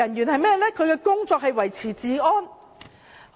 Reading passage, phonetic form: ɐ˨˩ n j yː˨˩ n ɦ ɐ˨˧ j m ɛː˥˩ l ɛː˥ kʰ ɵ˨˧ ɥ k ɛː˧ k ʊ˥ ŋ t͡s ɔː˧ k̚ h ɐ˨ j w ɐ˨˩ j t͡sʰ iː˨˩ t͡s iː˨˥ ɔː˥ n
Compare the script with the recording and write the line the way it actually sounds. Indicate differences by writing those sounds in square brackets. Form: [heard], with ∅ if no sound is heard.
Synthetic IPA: ɐ˨˩ n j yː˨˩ n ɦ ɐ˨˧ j m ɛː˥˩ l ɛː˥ kʰ ɵ˨˧ ɥ k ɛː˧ k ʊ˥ ŋ t͡s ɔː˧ k̚ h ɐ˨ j w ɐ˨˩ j t͡sʰ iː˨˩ t͡s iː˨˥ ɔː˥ n